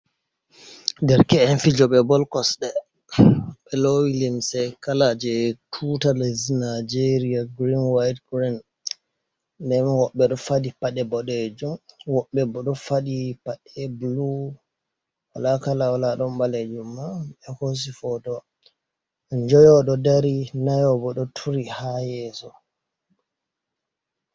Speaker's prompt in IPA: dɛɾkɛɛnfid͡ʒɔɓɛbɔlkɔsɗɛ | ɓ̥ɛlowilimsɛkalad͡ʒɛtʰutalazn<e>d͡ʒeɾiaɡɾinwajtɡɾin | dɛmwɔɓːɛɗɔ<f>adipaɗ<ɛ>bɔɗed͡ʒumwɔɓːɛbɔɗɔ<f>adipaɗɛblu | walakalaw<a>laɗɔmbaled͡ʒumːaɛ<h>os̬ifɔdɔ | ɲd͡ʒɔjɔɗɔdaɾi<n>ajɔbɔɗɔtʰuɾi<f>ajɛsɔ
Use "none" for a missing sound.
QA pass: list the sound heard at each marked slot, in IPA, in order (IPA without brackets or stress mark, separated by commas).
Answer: a, f, ɛ, f, a, h, n, h